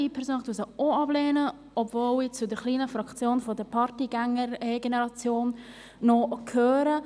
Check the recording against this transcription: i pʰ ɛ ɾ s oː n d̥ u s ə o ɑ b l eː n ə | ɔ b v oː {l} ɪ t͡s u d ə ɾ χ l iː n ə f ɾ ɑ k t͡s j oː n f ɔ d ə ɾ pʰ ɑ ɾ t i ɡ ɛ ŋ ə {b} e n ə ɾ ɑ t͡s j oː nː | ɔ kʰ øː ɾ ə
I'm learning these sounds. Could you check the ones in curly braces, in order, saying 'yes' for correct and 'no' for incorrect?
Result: yes, no

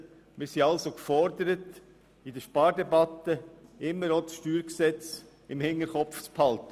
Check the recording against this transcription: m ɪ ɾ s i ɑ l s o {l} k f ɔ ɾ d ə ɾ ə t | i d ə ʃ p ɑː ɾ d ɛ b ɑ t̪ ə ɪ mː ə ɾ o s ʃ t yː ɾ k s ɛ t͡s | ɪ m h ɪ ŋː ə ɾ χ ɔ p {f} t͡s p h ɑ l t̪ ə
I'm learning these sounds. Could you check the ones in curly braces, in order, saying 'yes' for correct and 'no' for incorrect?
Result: no, yes

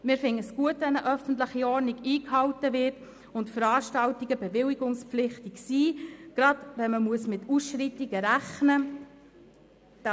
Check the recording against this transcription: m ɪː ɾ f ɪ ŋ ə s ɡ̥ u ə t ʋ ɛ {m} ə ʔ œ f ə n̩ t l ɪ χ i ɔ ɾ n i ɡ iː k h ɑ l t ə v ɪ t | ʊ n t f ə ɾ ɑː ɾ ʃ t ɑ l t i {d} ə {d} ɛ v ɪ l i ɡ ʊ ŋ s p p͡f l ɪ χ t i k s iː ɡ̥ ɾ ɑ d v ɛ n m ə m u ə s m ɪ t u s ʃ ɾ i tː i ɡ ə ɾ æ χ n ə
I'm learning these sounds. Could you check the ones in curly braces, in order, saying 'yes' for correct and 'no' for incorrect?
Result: no, no, no

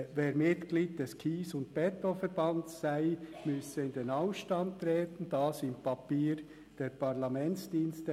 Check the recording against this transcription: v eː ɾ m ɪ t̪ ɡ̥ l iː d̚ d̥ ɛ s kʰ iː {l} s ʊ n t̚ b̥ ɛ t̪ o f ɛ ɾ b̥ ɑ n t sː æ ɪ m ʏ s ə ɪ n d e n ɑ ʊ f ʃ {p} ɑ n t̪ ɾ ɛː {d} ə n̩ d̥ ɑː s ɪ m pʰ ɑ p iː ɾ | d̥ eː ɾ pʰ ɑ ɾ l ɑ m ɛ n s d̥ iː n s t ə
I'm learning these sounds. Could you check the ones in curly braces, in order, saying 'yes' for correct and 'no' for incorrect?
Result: no, no, no

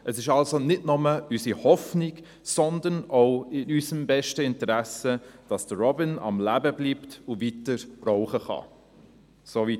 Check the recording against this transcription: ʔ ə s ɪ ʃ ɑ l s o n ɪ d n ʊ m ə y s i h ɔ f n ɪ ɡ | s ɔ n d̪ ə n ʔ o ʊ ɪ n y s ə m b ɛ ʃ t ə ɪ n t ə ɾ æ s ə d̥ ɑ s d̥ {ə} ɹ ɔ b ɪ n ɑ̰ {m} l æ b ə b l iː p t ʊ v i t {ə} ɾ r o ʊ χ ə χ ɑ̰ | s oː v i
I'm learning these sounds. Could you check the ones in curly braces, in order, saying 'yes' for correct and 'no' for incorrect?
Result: yes, yes, yes

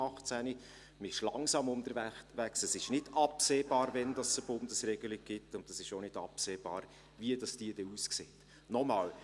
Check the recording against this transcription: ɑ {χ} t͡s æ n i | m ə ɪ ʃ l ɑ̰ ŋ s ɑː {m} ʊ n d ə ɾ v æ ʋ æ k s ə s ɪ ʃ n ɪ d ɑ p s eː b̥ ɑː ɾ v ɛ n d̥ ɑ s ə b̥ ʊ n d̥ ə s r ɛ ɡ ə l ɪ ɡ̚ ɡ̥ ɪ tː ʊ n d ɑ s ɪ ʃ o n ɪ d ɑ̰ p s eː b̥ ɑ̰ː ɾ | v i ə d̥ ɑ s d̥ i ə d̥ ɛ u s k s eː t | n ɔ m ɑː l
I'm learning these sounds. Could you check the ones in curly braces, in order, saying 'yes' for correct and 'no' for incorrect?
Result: yes, yes

